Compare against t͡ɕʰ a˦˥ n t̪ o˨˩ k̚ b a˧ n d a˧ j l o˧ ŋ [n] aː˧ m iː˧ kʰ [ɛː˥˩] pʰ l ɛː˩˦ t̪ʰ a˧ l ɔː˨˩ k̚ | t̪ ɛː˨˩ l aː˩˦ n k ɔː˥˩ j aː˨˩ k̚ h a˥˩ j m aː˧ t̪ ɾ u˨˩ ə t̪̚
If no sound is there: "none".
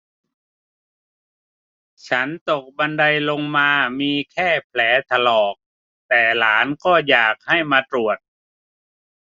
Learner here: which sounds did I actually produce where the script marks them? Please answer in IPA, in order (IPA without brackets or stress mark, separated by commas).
m, ɛː˥˩